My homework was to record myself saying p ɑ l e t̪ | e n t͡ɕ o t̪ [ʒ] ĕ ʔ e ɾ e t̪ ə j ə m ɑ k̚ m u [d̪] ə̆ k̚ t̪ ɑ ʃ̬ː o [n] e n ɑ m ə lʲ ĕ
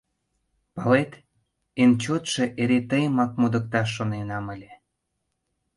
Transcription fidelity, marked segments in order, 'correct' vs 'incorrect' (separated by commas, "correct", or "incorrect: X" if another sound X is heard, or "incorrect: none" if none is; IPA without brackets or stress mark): incorrect: ʃ, correct, correct